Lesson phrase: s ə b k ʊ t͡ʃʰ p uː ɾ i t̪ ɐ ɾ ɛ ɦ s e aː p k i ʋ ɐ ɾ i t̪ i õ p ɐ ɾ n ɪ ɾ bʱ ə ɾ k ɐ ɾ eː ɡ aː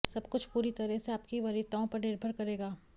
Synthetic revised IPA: s ɐ b k ʊ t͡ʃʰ p uː ɾ i t̪ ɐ ɾ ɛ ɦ s e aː p k i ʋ ɐ ɾ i t̪ a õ p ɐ ɾ n ɪ ɾ bʱ ə ɾ k ɐ ɾ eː ɡ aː